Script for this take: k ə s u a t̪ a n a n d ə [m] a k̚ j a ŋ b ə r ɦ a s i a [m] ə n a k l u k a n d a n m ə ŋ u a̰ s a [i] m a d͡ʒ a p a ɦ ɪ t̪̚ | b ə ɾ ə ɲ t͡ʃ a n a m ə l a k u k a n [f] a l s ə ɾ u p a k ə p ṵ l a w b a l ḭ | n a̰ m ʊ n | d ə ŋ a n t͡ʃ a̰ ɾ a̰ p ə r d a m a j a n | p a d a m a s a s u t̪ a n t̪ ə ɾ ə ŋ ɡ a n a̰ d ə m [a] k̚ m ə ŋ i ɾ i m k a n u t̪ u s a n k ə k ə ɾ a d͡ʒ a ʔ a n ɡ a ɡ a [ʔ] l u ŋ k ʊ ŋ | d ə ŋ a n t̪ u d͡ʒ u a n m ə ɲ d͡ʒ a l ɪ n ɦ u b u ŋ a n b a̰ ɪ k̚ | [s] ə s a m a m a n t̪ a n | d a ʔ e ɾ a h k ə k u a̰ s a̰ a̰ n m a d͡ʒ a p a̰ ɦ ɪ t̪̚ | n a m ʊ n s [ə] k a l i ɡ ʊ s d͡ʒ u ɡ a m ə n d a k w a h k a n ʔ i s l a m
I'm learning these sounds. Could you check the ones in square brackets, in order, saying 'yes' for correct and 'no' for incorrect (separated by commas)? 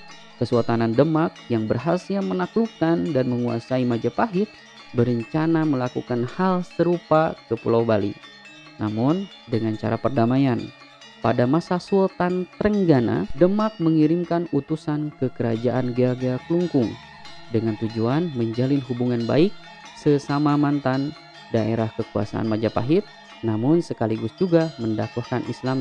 yes, yes, yes, no, yes, no, yes, yes